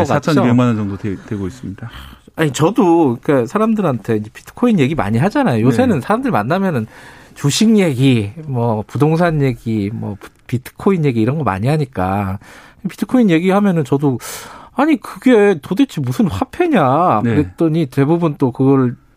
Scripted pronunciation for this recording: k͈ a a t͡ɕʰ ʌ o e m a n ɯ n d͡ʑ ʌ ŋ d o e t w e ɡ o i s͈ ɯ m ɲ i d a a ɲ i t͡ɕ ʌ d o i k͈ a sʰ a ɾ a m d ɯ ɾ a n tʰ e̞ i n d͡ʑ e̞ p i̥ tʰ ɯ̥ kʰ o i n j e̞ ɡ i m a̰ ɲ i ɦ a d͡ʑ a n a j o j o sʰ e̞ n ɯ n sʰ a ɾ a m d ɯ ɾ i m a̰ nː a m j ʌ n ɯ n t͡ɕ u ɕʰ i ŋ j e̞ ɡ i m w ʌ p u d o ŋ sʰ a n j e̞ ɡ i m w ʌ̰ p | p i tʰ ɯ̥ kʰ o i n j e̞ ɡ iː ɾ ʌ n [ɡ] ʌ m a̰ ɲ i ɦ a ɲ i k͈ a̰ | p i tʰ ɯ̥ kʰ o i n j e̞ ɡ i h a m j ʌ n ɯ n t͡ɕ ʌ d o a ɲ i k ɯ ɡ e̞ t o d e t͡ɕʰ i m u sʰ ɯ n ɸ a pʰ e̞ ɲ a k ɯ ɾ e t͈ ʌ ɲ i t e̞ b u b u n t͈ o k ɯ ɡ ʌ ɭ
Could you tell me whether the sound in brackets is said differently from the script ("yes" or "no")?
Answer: no